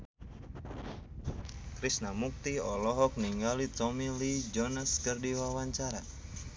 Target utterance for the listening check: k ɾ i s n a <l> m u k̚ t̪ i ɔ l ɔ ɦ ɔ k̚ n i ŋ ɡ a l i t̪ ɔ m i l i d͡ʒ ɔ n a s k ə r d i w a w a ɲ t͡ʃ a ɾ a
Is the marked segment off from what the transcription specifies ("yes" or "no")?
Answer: yes